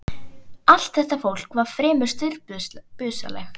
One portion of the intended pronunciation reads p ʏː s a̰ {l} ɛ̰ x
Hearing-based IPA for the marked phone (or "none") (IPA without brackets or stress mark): l